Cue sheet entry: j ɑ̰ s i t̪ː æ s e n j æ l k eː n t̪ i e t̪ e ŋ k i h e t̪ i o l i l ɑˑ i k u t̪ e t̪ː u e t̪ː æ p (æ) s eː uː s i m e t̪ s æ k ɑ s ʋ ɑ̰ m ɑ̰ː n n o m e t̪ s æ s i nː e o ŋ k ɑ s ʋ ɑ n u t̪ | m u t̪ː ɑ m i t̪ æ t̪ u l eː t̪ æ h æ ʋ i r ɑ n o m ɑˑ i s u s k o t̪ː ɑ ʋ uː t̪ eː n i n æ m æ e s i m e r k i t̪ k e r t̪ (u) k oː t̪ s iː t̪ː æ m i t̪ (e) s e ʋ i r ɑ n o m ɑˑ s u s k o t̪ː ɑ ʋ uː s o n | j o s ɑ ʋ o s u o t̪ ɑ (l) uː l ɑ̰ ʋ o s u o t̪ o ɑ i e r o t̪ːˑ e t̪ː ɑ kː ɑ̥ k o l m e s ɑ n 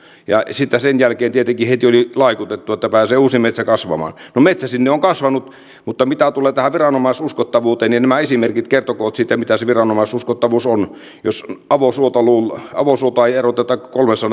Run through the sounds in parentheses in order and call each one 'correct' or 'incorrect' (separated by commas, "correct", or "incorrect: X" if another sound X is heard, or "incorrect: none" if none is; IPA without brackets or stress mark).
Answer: incorrect: æː, incorrect: o, incorrect: æ, correct